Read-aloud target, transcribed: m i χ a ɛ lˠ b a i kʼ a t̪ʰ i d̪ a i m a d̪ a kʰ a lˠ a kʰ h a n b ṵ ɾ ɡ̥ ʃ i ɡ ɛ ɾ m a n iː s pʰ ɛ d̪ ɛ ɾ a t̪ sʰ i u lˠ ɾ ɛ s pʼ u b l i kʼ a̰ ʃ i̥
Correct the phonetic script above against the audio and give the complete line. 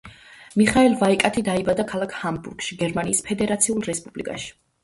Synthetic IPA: m i χ a ɛ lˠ v a i kʼ a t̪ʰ i d̪ a i b a d̪ a kʰ a lˠ a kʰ h a m b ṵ ɾ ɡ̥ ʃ i ɡ ɛ ɾ m a n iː s pʰ ɛ d̪ ɛ ɾ a t̪ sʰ i u lˠ ɾ ɛ s pʼ u b l i kʼ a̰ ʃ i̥